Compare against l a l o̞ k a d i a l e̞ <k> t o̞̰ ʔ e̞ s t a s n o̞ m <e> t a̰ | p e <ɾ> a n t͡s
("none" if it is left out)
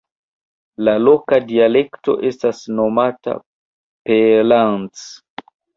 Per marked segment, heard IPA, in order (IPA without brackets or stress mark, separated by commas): k, a, l